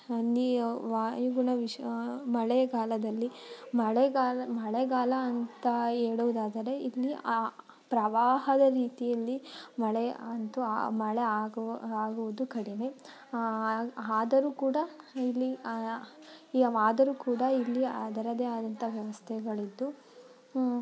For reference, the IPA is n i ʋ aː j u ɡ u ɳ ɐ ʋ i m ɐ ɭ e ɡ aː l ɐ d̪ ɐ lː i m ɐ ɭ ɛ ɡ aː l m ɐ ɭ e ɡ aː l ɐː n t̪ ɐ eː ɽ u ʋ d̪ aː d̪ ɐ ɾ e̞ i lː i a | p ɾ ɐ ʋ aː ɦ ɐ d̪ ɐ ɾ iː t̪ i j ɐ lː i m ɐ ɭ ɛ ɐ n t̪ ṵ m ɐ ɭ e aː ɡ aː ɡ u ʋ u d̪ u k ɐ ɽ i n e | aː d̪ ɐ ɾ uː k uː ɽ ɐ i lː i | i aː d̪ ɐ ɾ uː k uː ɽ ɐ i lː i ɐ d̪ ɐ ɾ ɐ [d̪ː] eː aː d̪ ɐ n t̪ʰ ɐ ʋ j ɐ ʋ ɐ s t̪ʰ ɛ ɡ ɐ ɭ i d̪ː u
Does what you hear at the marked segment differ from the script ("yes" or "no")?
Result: yes